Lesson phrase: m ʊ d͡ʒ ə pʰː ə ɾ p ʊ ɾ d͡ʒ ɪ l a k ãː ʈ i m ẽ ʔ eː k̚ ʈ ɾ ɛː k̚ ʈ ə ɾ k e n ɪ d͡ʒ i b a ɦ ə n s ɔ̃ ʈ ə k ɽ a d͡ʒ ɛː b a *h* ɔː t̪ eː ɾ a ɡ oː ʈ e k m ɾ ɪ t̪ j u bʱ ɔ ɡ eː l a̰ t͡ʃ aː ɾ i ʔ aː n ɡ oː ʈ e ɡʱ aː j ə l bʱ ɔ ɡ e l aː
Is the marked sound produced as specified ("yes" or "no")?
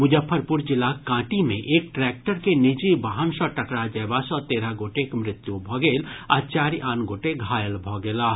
no